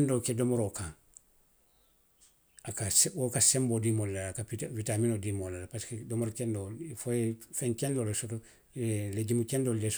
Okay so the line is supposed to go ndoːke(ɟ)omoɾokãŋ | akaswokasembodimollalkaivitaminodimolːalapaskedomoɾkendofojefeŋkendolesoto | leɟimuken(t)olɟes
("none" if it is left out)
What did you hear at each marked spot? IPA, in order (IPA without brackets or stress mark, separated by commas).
d, d